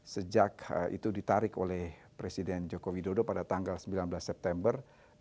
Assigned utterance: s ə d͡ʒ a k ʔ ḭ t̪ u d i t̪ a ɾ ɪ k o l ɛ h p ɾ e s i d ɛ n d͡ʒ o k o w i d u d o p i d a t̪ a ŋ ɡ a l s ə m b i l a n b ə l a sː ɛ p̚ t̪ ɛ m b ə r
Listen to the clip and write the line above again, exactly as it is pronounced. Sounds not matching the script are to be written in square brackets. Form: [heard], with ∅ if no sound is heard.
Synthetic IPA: s ə d͡ʒ a k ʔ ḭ t̪ u d i t̪ a ɾ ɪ k o l ɛ h p ɾ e s i d ɛ n d͡ʒ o k o w i d [o] d o p [a] d a t̪ a ŋ ɡ a l s ə m b i l a n b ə l a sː ɛ p̚ t̪ ɛ m b ə r

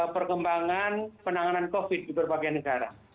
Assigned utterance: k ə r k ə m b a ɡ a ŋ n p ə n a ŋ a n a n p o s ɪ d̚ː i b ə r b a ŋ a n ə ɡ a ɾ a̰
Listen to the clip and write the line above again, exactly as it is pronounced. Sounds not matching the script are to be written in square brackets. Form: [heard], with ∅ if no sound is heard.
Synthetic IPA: [p] ə r k ə m b a [ŋ] a [∅] n p ə n a ŋ a n a n [k] o [f] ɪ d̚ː i b ə r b a [ɡ] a n ə ɡ a ɾ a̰

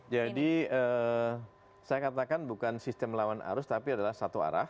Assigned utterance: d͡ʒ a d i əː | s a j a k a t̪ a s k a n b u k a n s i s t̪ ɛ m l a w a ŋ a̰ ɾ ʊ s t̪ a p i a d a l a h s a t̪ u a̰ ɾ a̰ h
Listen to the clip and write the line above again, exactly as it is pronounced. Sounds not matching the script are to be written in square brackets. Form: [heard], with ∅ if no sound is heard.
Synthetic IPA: d͡ʒ a d i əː | s a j a k a t̪ a [∅] k a n b u k a n s i s t̪ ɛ m l a w a [n] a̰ ɾ ʊ s t̪ a p i a d a l a h s a t̪ u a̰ ɾ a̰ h

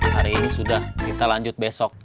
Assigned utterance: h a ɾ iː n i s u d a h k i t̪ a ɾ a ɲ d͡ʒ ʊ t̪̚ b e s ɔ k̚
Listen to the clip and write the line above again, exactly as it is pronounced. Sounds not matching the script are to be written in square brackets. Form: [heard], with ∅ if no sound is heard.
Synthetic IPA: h a ɾ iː n i s u d a h k i t̪ a [l] a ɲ d͡ʒ ʊ t̪̚ b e s ɔ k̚

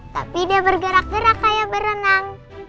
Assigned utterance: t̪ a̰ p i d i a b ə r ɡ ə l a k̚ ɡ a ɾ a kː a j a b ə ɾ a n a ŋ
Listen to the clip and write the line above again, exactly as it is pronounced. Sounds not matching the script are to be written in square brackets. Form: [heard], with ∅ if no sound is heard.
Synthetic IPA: t̪ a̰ p i d i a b ə r ɡ ə [ɾ] a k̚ ɡ [ə] ɾ a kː a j a b ə ɾ [ə] n a ŋ

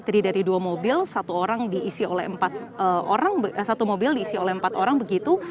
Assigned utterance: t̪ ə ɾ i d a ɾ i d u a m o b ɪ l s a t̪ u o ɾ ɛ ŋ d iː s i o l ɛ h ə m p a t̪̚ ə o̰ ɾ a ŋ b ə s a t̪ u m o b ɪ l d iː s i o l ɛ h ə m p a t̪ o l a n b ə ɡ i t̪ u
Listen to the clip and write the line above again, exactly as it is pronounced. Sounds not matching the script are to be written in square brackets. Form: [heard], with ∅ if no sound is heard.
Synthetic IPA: t̪ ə ɾ i d a ɾ i d u a m o b ɪ l s a t̪ u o ɾ [a] ŋ d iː s i o l ɛ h ə m p a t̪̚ ə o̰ ɾ a ŋ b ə s a t̪ u m o b ɪ l d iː s i o l ɛ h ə m p a t̪ o [ɾ] a [ŋ] b ə ɡ i t̪ u

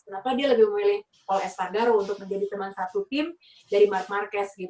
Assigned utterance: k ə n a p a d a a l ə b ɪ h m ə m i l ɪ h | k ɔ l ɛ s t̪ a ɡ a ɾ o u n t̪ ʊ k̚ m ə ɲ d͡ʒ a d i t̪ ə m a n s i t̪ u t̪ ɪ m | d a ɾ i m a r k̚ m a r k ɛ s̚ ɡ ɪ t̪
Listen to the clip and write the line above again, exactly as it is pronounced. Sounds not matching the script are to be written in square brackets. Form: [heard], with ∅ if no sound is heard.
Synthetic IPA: k ə n a p a d [i] a l ə b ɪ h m ə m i l ɪ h | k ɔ l ɛ s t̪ a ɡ a ɾ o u n t̪ ʊ k̚ m ə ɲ d͡ʒ a d i t̪ ə m a n s [a] t̪ u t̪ ɪ m | d a ɾ i m a r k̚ m a r k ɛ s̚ ɡ [i] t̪

